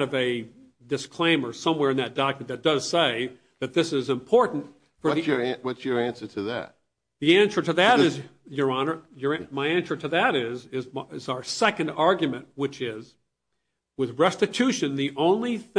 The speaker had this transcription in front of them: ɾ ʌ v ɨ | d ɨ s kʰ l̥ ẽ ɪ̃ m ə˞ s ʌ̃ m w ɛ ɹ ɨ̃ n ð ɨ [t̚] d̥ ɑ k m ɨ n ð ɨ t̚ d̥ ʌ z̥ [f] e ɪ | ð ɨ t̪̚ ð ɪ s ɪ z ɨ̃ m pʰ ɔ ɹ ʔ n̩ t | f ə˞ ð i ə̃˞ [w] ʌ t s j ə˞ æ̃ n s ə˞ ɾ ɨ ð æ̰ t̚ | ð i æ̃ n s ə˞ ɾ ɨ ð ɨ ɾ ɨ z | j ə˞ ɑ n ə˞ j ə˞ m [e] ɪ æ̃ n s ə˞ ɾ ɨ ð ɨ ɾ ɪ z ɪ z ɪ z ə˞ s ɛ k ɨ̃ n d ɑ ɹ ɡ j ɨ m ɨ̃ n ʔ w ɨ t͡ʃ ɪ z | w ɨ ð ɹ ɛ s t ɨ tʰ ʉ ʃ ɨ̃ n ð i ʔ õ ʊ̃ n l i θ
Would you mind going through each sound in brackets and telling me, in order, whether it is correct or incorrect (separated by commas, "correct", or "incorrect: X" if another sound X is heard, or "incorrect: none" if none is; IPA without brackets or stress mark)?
correct, incorrect: s, correct, incorrect: a